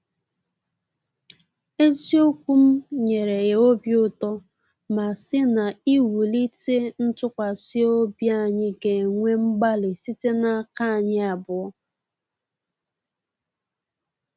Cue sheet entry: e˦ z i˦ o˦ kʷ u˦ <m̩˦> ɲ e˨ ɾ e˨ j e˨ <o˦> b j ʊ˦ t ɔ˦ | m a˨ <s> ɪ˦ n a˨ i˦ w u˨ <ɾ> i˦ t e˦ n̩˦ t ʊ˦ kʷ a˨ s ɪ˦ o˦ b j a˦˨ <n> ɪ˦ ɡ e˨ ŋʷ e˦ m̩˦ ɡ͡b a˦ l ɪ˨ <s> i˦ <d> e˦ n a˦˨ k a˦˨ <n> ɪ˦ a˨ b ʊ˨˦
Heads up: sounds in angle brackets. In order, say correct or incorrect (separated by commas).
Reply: correct, correct, correct, incorrect, incorrect, correct, incorrect, incorrect